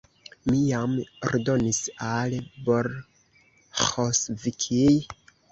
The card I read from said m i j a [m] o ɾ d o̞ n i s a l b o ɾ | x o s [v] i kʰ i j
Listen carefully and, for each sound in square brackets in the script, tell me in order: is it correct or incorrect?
correct, correct

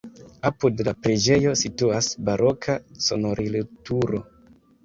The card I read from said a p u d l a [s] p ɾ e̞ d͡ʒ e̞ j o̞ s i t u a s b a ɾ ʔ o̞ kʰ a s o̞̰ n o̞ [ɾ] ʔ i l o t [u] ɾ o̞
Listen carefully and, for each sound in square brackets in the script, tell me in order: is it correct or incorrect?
incorrect: none, correct, correct

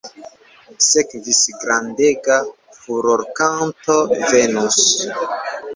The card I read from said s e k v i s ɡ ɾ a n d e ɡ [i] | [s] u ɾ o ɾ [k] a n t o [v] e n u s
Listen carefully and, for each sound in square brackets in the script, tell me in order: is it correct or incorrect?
incorrect: a, incorrect: f, correct, correct

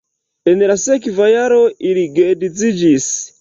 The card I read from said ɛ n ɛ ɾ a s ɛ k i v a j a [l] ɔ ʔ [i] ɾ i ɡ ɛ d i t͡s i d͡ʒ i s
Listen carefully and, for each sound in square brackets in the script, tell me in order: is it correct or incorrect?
incorrect: ɾ, correct

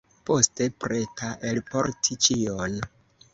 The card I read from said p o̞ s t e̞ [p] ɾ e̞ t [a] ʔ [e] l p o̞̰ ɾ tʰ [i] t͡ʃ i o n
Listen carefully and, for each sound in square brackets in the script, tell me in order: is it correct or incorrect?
correct, correct, correct, correct

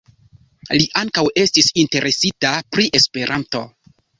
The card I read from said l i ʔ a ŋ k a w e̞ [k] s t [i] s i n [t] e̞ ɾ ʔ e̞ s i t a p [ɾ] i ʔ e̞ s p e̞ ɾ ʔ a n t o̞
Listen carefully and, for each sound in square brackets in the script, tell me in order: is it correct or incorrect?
incorrect: none, correct, correct, correct

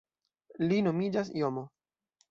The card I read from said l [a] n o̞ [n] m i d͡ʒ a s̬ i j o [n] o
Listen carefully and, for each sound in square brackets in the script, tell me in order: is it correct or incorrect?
incorrect: i, incorrect: none, incorrect: m

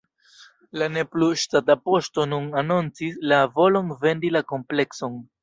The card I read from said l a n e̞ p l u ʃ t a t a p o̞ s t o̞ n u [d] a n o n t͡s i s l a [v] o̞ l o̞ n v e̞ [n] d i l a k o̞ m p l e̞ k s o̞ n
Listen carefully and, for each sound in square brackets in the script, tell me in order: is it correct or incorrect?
incorrect: n, correct, correct

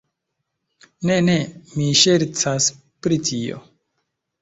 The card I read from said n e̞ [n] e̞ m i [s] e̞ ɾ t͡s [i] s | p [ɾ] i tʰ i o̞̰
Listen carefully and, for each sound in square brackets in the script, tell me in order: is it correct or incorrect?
correct, incorrect: ʃ, incorrect: a, correct

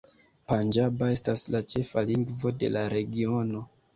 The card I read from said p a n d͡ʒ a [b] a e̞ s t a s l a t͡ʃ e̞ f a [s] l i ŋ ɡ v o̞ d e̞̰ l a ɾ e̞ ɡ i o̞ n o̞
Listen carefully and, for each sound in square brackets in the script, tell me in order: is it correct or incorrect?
correct, incorrect: none

